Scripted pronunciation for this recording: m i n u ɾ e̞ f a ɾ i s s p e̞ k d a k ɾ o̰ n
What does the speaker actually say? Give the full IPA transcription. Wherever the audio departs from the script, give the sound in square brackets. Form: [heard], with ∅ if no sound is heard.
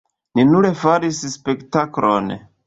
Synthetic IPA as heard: [n] i n u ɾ e̞ f a ɾ i s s p e̞ k [t] a k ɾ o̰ n